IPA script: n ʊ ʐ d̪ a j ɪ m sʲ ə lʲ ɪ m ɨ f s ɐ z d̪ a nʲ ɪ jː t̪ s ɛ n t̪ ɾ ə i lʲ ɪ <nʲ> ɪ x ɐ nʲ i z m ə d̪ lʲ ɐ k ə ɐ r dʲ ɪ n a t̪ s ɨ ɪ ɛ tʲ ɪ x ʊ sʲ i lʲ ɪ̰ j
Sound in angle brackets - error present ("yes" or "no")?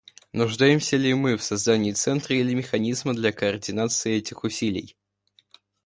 yes